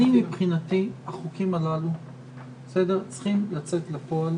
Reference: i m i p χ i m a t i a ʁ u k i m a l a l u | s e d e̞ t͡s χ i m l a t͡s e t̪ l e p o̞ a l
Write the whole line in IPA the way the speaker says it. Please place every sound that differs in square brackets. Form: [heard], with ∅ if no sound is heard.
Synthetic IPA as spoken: i m i p χ i [n] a t i a [χ] u k i m a l a l u | s e d e̞ t͡s χ i m l a t͡s e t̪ l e p o̞ a l